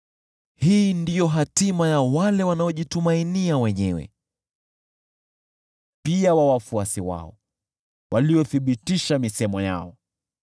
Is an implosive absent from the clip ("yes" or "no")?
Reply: no